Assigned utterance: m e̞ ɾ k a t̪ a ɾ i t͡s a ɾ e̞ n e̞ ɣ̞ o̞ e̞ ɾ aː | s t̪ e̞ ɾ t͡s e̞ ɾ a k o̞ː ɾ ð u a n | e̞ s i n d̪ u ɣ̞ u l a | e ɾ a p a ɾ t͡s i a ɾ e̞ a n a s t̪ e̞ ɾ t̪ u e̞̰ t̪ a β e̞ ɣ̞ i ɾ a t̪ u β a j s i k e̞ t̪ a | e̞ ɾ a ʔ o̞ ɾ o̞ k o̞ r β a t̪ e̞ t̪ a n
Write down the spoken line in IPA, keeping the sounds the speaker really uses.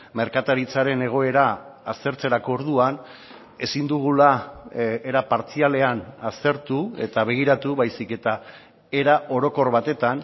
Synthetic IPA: m e̞ ɾ k a t̪ a ɾ i t͡s a ɾ e̞ n e̞ ɣ̞ o̞ e̞ ɾ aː | s t̪ e̞ ɾ t͡s e̞ ɾ a k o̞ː ɾ ð u a n | e̞ s i n d̪ u ɣ̞ u l a | e ɾ a p a ɾ t͡s i a l e̞ a n a s t̪ e̞ ɾ t̪ u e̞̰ t̪ a β e̞ ɣ̞ i ɾ a t̪ u β a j s i k e̞ t̪ a | e̞ ɾ a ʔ o̞ ɾ o̞ k o̞ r β a t̪ e̞ t̪ a n